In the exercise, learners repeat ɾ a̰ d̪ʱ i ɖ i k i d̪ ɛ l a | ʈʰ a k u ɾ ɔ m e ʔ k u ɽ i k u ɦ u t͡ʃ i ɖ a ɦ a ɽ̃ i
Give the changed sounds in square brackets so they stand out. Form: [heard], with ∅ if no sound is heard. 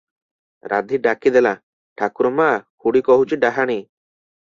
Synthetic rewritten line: ɾ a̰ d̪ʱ i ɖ [a] k i d̪ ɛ l a | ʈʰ a k u ɾ ɔ m [a] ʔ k u ɽ i k [ɔ] ɦ u t͡ʃ i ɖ a ɦ a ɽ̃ i